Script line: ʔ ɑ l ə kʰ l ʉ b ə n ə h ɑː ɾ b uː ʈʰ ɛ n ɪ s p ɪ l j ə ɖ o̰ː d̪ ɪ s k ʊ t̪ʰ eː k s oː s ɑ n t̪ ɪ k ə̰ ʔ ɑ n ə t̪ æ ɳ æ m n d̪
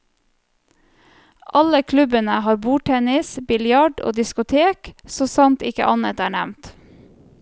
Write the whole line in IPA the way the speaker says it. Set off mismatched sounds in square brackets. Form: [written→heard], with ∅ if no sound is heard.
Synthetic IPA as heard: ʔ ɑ l ə kʰ l ʉ b ə n ə h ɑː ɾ b uː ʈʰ ɛ n ɪ s [p→b] ɪ l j [ə→ɑ] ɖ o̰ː d̪ ɪ s k ʊ t̪ʰ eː k s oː s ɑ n t̪ ɪ k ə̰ ʔ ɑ n ə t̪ [æ→æː] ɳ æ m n [d̪→t̪]